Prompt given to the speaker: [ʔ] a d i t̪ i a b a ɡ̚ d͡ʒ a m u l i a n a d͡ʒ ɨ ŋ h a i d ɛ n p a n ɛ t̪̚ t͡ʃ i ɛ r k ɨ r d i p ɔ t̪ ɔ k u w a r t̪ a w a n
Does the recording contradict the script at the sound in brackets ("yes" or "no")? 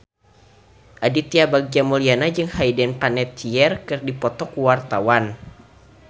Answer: no